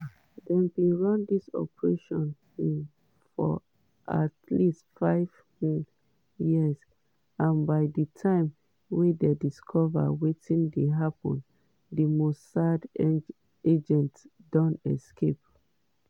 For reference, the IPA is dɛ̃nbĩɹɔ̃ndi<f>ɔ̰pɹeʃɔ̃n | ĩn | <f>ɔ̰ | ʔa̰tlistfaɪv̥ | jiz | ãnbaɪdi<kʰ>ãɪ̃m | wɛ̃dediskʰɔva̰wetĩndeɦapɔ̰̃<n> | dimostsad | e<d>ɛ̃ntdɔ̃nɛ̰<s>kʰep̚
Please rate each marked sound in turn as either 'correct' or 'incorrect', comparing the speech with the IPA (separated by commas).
incorrect, correct, incorrect, correct, incorrect, correct